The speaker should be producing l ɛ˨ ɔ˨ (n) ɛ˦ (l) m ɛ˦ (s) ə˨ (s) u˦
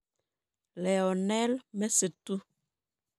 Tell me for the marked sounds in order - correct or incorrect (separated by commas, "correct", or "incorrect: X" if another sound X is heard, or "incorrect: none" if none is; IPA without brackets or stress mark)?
correct, correct, correct, incorrect: t